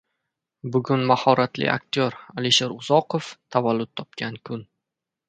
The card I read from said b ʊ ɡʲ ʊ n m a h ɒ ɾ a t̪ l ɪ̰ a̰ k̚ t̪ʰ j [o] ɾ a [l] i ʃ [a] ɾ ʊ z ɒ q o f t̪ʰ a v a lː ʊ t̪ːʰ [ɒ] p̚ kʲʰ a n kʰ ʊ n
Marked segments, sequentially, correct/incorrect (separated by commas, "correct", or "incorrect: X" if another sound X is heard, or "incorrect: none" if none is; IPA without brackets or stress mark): correct, correct, incorrect: e, correct